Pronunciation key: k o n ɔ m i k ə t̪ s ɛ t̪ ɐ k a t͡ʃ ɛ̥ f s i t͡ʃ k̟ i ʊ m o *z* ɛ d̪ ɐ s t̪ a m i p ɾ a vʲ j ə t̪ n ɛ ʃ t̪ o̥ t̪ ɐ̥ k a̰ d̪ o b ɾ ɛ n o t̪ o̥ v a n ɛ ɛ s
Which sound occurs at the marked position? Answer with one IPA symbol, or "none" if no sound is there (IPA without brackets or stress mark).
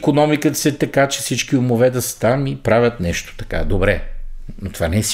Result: v